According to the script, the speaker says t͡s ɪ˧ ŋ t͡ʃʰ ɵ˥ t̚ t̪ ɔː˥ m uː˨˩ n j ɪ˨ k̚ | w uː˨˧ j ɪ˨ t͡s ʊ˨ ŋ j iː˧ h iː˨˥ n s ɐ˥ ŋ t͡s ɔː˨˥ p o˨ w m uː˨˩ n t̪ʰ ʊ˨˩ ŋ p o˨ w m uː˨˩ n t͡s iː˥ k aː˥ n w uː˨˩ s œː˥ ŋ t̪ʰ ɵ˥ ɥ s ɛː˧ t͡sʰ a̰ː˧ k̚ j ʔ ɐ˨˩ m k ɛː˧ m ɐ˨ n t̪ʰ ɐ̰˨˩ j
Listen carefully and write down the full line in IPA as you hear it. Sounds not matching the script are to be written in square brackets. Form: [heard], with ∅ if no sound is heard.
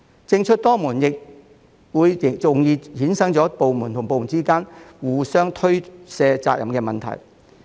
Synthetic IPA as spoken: t͡s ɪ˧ ŋ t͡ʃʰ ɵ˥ t̚ t̪ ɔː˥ m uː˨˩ n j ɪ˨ k̚ | w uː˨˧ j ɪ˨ t͡s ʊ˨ ŋ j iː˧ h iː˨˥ n s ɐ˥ ŋ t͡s ɔː˨˥ p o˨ w m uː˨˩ n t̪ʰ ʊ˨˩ ŋ p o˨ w m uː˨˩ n t͡s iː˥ k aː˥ n w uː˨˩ s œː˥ ŋ t̪ʰ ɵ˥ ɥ s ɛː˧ [t͡s] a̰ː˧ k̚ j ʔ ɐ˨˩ m k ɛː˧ m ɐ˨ n t̪ʰ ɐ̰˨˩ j